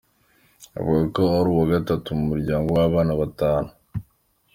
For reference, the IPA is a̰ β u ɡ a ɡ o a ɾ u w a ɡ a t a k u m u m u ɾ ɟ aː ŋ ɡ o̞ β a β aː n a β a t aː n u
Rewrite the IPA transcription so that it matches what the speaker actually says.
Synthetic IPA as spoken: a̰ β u ɡ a k o a ɾ u w a ɡ a t a t u m u m u ɾ ɟ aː ŋ ɡ o̞ w a β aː n a β a t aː n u